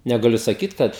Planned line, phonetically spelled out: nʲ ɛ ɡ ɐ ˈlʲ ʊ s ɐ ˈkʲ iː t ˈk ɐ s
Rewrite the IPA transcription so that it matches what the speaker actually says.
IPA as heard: nʲ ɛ ɡ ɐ ˈlʲ ʊ s ɐ ˈkʲ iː t ˈk ɐ t